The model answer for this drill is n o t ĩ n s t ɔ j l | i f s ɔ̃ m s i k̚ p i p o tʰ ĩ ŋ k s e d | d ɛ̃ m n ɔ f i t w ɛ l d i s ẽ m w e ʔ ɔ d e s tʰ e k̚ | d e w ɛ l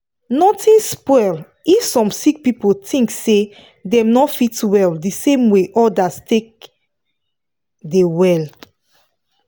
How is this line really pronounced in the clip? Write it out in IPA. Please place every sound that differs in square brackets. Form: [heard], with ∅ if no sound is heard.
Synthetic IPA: n [ɔ] t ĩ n s [p] ɔ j l | i f s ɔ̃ m s i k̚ p i p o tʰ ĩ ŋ k s e [∅] | d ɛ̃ m n ɔ f i t w ɛ l d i s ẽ m w e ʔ ɔ d [a] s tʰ e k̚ | d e w ɛ l